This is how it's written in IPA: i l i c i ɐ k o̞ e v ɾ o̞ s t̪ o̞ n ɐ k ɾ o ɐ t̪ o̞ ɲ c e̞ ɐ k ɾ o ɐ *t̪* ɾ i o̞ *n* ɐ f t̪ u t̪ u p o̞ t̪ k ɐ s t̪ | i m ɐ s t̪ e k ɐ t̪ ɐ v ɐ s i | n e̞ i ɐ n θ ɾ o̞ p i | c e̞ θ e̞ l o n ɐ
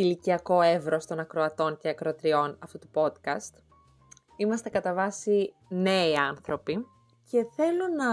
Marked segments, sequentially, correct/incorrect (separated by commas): correct, correct